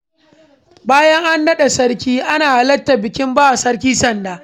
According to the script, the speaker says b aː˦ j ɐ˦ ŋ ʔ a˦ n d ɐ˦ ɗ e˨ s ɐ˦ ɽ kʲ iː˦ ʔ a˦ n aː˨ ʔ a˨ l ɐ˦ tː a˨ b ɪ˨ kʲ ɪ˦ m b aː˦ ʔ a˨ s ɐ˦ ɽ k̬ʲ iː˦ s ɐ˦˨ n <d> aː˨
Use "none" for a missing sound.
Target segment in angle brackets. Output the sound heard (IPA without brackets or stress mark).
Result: d